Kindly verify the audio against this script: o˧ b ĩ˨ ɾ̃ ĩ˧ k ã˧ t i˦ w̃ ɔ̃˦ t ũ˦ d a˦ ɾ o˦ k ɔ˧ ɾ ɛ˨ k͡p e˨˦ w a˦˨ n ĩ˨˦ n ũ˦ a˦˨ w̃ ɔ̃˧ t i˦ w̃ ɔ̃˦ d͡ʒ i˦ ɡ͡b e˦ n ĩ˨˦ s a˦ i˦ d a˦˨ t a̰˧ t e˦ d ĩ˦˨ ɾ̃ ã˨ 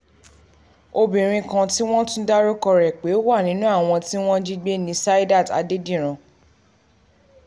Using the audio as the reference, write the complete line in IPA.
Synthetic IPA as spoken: o˧ b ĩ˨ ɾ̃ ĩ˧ k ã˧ t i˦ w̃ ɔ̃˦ t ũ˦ d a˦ ɾ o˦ k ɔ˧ ɾ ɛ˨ k͡p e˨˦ w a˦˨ n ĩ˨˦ n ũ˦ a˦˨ w̃ ɔ̃˧ t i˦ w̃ ɔ̃˦ d͡ʒ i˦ ɡ͡b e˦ n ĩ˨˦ s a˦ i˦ d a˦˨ t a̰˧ d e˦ d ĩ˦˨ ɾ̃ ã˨